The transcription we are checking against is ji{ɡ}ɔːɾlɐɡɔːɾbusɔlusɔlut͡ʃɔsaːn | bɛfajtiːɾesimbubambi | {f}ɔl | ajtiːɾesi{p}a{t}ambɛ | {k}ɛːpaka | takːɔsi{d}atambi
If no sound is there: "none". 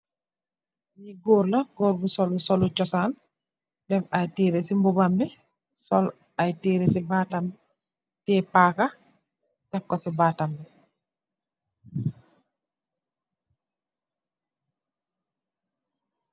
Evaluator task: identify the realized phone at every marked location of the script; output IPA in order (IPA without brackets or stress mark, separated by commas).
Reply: ɡ, s, b, t, t, b